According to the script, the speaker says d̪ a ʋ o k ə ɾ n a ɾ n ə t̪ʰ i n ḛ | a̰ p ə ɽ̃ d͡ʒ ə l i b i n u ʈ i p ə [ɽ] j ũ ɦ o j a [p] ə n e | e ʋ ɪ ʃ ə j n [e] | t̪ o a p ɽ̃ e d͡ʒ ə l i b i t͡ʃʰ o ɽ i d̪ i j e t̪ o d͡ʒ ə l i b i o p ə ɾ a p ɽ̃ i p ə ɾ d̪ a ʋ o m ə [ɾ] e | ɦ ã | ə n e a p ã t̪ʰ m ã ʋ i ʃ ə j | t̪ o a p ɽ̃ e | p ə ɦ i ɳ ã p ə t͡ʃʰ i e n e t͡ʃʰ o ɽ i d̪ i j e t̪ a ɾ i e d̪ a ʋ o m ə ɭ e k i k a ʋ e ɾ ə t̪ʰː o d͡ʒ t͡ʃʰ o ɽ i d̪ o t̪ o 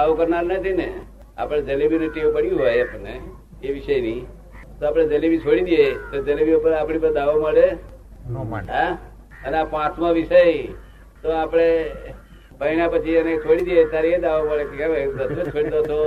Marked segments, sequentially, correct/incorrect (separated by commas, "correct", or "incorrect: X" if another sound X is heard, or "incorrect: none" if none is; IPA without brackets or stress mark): correct, correct, incorrect: i, incorrect: ɭ